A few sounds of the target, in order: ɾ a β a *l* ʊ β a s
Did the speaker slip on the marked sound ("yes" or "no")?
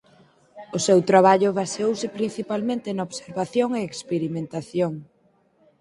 yes